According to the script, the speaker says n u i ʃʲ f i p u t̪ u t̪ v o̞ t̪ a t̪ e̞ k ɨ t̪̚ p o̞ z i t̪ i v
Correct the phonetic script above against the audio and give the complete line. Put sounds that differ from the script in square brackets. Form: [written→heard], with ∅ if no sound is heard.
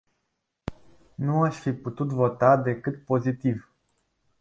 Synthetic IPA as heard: n u [i→a] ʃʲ f i p u t̪ u t̪ v o̞ t̪ a [t̪→d̪] e̞ k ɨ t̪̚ p o̞ z i t̪ i v